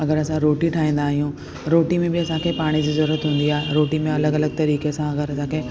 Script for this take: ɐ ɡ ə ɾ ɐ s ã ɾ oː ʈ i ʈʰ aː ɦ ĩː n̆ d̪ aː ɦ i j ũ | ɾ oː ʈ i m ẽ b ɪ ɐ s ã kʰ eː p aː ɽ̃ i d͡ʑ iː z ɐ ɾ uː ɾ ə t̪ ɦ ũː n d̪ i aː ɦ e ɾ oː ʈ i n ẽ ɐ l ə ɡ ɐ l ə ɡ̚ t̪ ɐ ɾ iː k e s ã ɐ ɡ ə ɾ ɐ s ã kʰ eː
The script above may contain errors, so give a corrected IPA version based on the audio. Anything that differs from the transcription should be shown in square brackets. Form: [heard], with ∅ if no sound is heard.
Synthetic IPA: ɐ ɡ ə ɾ ɐ s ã ɾ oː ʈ i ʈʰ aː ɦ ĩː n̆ d̪ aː ɦ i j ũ | ɾ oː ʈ i m ẽ b ɪ ɐ s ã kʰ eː p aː ɽ̃ i d͡ʑ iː z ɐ ɾ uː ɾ ə t̪ ɦ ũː n d̪ i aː ɦ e ɾ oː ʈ i [m] ẽ ɐ l ə ɡ ɐ l ə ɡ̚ t̪ ɐ ɾ iː k e s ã ɐ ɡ ə ɾ ɐ s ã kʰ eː